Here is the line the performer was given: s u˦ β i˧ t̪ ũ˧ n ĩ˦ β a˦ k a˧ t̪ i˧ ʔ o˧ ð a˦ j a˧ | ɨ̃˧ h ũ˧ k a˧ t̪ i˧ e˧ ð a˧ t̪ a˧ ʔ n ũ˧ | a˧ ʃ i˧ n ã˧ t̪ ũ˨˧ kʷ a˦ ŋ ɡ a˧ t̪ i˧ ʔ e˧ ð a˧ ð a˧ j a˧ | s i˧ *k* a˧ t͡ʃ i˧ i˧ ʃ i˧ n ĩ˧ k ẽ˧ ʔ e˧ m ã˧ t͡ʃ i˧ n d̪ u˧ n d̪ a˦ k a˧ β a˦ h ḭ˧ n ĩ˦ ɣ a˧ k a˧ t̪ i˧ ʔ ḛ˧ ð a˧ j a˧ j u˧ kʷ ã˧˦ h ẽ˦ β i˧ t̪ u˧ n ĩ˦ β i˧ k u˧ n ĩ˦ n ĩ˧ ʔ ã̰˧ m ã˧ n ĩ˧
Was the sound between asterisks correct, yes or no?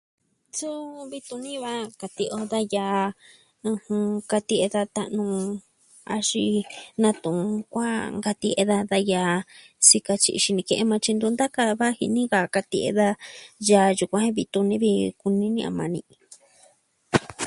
yes